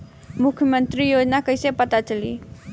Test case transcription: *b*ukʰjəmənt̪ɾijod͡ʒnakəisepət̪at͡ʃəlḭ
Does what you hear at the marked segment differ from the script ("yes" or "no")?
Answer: yes